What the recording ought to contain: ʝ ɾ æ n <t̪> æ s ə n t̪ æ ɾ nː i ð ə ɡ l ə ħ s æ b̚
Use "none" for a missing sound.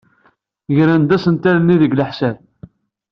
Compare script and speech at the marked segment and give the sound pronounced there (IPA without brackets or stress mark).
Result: d̪